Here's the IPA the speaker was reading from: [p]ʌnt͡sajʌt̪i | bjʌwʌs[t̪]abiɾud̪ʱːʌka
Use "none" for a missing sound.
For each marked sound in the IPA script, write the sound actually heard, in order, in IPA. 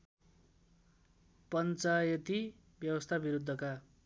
p, t̪ʰ

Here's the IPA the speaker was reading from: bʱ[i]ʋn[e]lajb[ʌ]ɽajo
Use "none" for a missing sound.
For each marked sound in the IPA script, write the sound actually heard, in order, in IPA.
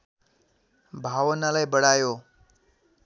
a, a, ə

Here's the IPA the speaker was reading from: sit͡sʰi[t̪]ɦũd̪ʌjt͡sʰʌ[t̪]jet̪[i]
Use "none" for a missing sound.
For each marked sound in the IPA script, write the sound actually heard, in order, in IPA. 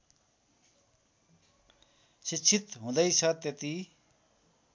t̪, t̪, i

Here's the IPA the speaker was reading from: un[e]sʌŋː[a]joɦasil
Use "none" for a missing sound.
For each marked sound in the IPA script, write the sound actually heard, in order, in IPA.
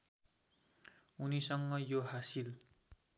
i, ʌ

